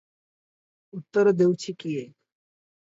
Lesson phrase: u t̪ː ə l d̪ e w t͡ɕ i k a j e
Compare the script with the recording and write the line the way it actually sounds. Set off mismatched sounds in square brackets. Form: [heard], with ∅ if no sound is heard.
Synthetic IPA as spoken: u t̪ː ə [ɾ] d̪ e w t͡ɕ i k [i] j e